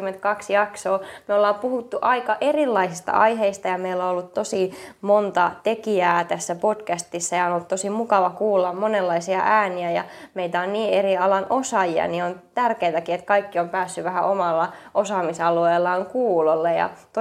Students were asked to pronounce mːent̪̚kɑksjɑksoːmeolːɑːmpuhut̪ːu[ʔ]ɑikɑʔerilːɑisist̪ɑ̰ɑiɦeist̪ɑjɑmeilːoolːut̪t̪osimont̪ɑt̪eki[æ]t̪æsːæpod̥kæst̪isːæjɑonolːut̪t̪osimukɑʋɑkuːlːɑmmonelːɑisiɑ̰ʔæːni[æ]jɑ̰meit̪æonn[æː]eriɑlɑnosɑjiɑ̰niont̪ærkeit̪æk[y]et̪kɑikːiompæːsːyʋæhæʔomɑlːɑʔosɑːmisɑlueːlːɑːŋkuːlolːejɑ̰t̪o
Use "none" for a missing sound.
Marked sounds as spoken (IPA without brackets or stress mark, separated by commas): ʔ, æː, æ, iː, i